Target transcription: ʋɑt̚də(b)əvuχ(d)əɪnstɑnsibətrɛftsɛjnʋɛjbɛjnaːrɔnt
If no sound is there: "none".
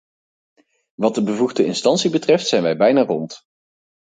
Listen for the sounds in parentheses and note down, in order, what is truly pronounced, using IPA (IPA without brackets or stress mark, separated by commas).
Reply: b, d